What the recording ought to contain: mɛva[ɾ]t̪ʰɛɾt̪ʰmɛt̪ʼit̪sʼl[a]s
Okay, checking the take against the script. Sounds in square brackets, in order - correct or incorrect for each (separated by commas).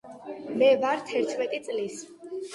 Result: correct, incorrect